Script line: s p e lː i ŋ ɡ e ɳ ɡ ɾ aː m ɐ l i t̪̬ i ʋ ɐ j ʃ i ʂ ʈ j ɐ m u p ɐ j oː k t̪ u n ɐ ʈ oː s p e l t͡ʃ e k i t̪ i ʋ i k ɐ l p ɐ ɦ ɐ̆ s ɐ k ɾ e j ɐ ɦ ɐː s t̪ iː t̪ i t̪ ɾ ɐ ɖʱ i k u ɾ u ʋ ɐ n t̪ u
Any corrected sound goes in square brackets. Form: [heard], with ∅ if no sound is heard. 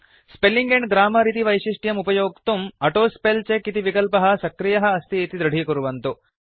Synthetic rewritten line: s p e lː i ŋ ɡ e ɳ ɡ ɾ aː m ɐ [ɾ] i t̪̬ i ʋ ɐ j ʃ i ʂ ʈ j ɐ m u p ɐ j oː k t̪ u [m] ɐ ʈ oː s p e l t͡ʃ e k i t̪ i ʋ i k ɐ l p ɐ ɦ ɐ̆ s ɐ k ɾ [i] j ɐ ɦ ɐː s t̪ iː t̪ i [d̪] ɾ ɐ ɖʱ i k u ɾ u ʋ ɐ n t̪ u